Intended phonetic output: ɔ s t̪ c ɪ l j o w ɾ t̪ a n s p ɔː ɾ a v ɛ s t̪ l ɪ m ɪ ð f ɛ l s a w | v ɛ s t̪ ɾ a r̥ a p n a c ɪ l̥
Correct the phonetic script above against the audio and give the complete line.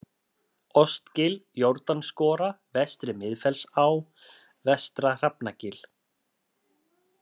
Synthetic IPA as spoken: ɔ s t̪ c ɪ l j o w ɾ t̪ a n s k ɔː ɾ a v ɛ s t̪ ɾ ɪ m ɪ ð f ɛ l s a w | v ɛ s t̪ ɾ a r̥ a p n a c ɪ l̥